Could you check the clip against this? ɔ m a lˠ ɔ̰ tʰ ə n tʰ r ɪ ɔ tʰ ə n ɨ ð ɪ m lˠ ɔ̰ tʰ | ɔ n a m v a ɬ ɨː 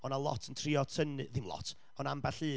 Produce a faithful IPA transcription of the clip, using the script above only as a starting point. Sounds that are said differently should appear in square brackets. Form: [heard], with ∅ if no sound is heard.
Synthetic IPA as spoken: ɔ [n] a lˠ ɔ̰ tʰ ə n tʰ r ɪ ɔ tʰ ə n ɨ ð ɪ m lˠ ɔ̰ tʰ | ɔ n a m [b] a ɬ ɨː